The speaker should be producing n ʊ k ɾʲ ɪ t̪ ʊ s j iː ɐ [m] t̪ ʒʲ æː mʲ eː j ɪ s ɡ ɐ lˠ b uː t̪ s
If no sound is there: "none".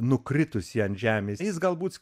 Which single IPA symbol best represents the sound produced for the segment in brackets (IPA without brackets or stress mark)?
n